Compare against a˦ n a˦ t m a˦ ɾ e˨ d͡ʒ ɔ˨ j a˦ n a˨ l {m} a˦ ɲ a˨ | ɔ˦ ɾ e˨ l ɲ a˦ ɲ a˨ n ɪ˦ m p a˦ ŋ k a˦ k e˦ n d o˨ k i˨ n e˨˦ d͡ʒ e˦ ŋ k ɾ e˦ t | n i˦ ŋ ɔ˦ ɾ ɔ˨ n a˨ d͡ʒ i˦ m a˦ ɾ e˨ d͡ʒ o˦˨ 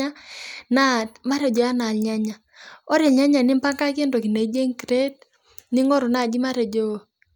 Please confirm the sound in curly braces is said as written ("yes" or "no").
no